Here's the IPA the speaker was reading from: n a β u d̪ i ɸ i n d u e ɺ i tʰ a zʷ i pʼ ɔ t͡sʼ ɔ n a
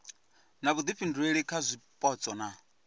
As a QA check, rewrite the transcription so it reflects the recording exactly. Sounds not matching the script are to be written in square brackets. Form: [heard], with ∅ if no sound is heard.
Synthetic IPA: n a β u d̪ i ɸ i n d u e ɺ i [kʰ] a zʷ i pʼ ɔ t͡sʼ ɔ n a